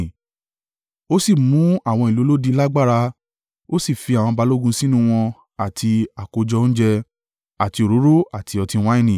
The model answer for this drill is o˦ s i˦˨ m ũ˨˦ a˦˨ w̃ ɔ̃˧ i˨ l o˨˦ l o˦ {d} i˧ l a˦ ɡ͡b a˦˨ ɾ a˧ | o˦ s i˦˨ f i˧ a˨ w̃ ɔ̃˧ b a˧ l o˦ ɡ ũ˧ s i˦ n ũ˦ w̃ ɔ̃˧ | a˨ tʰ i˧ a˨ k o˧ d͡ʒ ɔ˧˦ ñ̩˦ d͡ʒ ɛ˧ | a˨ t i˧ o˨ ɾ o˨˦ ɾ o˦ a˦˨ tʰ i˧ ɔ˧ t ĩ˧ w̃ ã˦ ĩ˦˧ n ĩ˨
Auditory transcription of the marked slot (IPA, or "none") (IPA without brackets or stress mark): d